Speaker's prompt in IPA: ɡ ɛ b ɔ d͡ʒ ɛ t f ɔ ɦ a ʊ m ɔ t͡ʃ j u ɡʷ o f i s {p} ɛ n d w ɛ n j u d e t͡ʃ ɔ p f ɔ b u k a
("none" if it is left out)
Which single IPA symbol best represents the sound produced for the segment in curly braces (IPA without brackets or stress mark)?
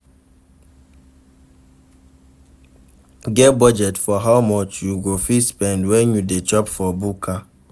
p